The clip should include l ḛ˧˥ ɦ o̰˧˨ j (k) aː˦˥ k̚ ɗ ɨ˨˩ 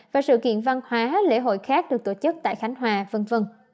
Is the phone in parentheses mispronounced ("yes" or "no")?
yes